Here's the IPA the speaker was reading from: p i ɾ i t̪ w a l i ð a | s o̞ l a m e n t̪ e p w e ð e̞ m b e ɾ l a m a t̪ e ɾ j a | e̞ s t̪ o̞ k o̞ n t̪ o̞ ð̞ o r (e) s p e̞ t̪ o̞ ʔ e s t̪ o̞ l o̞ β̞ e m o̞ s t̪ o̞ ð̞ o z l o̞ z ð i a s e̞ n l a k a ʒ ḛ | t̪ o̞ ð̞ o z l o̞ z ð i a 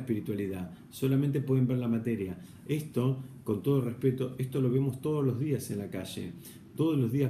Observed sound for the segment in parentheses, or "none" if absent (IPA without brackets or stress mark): e